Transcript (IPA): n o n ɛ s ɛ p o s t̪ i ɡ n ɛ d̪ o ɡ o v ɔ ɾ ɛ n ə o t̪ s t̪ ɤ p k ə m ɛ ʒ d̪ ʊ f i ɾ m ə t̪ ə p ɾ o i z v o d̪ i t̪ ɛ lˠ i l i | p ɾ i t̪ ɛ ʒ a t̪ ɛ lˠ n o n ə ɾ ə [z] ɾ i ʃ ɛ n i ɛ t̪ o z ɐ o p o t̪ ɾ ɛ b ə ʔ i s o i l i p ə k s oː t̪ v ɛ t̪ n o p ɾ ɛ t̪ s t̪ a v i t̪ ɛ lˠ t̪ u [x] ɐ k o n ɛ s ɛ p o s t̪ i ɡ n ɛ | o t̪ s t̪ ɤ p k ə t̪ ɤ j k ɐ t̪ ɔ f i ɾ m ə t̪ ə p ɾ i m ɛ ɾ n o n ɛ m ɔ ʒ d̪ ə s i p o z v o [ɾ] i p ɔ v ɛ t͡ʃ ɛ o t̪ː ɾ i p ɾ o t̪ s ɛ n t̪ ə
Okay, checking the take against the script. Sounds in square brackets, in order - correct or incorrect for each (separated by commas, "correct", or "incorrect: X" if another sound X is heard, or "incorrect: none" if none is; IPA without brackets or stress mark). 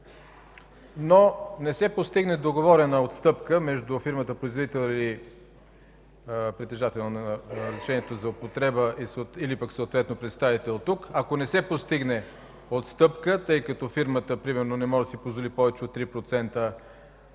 correct, incorrect: k, incorrect: l